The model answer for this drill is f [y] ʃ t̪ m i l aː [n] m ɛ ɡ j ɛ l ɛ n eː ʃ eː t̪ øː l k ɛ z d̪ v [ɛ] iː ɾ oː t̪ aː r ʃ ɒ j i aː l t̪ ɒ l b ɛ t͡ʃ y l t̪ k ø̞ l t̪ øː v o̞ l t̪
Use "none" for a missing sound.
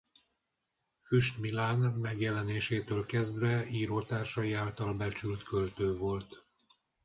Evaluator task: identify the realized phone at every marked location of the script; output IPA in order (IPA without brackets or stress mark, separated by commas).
y, n, ɛ